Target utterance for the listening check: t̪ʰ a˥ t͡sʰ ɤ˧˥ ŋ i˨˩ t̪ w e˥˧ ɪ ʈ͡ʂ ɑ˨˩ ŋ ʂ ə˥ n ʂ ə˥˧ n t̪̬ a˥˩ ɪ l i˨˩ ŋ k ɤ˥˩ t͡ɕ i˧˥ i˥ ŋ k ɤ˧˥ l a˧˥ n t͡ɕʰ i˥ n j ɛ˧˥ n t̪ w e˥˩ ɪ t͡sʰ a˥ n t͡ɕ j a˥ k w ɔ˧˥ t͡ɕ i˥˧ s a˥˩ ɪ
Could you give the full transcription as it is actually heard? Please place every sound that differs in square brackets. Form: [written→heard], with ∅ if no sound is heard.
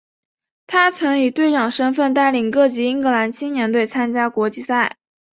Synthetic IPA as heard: t̪ʰ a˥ t͡sʰ ɤ˧˥ ŋ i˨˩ t̪ w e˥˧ ɪ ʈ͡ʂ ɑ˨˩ ŋ ʂ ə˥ n [ʂ→f] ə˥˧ n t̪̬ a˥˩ ɪ l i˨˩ ŋ k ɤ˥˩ t͡ɕ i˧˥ i˥ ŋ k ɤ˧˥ l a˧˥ n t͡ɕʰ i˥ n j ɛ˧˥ n t̪ w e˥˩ ɪ t͡sʰ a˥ n t͡ɕ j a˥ k w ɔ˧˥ t͡ɕ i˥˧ s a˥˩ ɪ